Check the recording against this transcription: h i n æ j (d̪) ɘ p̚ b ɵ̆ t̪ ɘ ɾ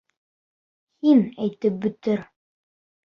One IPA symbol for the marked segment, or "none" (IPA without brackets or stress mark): t̪